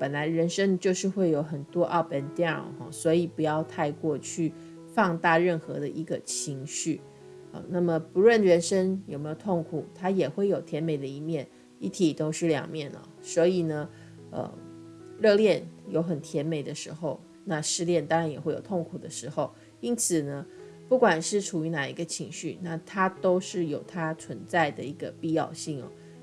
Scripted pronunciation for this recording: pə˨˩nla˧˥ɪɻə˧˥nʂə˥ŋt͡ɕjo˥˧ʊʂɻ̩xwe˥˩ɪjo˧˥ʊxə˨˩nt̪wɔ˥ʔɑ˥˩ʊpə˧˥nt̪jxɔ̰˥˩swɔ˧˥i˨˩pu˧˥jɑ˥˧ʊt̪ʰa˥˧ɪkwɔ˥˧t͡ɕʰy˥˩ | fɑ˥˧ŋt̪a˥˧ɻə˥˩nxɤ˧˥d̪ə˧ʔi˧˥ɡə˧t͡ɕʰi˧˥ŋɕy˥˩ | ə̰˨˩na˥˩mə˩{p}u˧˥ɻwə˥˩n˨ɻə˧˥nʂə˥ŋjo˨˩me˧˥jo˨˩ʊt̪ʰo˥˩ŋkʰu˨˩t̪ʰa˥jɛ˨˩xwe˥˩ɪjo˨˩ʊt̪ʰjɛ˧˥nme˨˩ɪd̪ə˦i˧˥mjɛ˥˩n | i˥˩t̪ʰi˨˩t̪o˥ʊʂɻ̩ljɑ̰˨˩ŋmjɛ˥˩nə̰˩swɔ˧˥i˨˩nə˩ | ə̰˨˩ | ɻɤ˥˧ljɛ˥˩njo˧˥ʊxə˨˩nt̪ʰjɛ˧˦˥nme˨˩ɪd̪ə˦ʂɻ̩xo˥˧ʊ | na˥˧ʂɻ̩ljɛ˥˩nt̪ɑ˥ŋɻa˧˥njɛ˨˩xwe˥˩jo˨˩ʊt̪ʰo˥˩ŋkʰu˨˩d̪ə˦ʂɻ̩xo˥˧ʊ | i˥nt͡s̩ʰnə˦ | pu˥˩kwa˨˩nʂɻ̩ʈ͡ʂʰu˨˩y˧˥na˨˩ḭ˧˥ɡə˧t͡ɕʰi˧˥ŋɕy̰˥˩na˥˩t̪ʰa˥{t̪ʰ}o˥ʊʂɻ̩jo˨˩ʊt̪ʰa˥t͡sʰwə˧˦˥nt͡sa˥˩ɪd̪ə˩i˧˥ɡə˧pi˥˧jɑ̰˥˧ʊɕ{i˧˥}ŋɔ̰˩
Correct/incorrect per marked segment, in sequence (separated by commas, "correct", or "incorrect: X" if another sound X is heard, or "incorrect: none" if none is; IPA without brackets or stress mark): correct, incorrect: t̪, incorrect: i˥˩